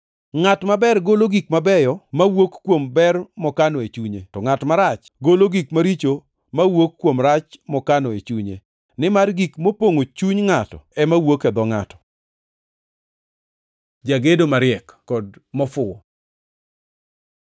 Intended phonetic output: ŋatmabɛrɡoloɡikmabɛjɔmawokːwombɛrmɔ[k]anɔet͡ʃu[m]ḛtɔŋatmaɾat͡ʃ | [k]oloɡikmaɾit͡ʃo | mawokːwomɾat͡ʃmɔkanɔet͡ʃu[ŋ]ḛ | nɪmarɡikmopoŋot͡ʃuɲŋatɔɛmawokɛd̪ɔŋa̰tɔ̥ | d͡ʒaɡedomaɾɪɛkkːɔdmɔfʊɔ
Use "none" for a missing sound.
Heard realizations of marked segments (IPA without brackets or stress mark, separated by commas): k, ɲ, ɡ, ɲ